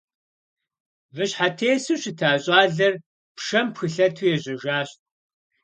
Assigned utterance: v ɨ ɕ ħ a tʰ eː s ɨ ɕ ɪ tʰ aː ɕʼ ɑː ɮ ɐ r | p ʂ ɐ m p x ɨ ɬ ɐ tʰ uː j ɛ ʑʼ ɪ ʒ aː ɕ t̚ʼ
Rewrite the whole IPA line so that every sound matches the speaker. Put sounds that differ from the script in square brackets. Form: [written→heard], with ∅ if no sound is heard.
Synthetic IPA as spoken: v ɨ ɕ ħ a tʰ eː s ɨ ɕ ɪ tʰ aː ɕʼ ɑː ɮ ɐ r | p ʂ ɐ m p x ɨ ɬ ɐ tʰ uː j ɛ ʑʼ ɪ ʒ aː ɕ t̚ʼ

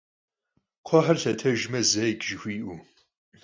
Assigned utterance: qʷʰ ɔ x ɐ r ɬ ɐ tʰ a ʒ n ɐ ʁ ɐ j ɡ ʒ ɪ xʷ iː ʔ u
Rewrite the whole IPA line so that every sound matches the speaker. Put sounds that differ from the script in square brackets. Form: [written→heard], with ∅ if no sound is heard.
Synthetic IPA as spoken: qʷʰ ɔ [x→ħ] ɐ r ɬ ɐ tʰ [a→ɐ] ʒ [n→m] ɐ [ʁ→z] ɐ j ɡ ʒ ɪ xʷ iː ʔ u

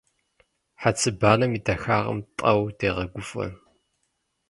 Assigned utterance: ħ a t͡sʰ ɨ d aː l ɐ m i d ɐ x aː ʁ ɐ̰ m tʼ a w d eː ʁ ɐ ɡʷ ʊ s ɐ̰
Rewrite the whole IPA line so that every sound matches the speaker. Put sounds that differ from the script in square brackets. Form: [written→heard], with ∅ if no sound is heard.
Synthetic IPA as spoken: ħ a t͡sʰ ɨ [d→b] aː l ɐ m i d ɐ x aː ʁ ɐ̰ m tʼ [a→ɐ] w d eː ʁ ɐ ɡʷ ʊ [s→f] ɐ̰

